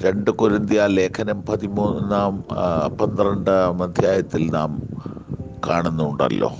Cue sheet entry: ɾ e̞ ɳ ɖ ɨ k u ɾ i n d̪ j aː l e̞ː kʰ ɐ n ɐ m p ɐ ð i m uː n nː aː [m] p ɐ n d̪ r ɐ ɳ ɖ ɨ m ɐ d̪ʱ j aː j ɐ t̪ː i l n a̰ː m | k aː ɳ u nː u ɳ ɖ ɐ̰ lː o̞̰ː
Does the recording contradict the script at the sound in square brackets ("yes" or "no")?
no